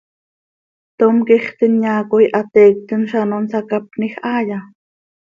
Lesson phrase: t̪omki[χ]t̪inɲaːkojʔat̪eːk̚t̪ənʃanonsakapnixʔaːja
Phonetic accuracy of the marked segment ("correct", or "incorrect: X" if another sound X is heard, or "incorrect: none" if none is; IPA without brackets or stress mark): correct